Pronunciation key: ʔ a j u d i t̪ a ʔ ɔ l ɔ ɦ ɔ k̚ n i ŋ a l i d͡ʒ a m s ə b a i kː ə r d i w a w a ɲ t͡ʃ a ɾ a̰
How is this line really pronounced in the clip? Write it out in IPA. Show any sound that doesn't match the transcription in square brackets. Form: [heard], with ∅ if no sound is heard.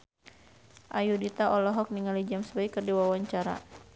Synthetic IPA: ʔ a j u d i t̪ a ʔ ɔ l ɔ ɦ ɔ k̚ n i ŋ a l i d͡ʒ a m s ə b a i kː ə r d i w a w a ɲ t͡ʃ a ɾ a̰